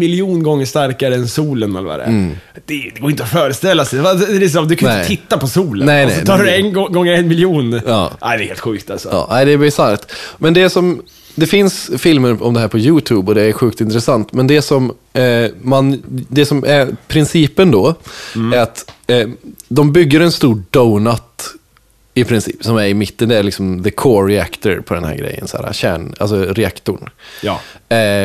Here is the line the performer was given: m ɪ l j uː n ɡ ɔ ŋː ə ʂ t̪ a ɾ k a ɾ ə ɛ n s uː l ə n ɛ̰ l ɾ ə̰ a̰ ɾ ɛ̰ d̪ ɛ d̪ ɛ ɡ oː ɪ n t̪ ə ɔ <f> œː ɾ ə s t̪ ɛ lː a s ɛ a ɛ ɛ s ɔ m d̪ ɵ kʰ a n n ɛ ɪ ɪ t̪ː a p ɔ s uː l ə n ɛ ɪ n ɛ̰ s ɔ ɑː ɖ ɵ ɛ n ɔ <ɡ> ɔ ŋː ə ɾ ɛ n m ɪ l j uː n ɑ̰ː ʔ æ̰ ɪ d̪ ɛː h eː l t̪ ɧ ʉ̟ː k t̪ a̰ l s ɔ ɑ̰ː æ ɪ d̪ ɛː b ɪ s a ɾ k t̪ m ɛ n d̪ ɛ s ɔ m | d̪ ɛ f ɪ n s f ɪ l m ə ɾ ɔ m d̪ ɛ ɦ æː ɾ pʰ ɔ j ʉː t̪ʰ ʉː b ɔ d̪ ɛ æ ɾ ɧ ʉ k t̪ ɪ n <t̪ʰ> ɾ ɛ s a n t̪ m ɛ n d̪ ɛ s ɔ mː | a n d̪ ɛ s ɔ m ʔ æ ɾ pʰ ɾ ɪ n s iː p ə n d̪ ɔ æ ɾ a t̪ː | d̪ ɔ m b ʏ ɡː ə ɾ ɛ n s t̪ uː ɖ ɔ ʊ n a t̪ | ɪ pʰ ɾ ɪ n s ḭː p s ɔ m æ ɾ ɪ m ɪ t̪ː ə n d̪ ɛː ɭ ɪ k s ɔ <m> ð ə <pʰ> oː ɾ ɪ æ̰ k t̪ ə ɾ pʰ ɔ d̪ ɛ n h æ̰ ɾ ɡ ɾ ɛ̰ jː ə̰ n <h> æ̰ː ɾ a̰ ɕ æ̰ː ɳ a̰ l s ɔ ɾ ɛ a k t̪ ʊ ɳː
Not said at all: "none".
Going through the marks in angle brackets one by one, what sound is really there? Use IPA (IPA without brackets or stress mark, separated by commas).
f, ɡ, t̪, m, kʰ, s